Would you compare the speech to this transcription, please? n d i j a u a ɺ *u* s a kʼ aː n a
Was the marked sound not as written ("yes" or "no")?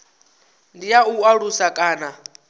no